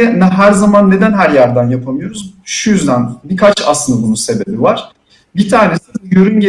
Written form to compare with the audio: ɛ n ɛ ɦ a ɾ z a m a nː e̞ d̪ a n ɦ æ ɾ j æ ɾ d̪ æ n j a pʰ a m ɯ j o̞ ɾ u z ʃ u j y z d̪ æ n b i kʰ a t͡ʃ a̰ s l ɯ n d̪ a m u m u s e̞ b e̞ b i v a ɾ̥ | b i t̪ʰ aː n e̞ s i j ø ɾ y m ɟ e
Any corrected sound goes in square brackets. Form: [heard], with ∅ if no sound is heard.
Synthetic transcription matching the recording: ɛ n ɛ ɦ [æ] ɾ z a m a nː e̞ d̪ [æ] n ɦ æ ɾ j æ ɾ d̪ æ n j a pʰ a m ɯ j o̞ ɾ u z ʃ u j y z d̪ æ n b i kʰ a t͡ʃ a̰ s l ɯ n d̪ a [b] u [n] u s e̞ b e̞ b i v a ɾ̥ | b i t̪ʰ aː n e̞ s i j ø ɾ y [n] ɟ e